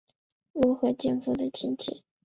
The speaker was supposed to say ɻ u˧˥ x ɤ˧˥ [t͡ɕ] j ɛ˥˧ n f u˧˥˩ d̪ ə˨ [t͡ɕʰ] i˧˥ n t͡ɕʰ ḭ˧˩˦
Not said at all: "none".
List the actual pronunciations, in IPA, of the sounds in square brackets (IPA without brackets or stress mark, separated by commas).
t͡ɕ, t͡ɕʰ